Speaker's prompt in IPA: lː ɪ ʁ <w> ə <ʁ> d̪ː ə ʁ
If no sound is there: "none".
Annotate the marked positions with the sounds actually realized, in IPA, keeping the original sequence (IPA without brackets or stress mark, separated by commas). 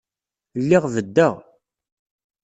v, none